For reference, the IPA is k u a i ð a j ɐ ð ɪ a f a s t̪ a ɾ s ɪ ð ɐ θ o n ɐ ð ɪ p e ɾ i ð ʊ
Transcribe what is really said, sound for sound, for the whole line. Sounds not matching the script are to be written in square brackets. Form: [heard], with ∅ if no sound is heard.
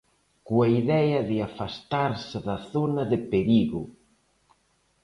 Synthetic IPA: k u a i ð [ɛ] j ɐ ð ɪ a f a s t̪ a ɾ s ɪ ð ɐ θ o n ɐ ð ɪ p e ɾ i [ɣ] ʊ